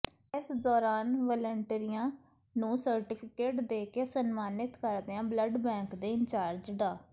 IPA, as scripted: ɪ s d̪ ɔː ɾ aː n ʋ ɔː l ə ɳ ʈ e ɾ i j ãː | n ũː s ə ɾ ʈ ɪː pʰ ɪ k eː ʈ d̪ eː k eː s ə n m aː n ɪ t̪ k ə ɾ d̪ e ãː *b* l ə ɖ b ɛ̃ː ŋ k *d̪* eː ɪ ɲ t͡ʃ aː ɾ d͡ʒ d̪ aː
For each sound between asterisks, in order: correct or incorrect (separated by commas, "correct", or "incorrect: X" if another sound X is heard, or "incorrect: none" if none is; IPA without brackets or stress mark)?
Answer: correct, correct